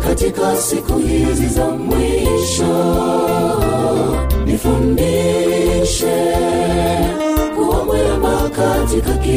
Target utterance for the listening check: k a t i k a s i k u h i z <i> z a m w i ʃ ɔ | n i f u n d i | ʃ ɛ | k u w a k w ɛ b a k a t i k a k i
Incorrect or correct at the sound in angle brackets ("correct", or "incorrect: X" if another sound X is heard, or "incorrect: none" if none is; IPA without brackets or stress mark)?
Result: correct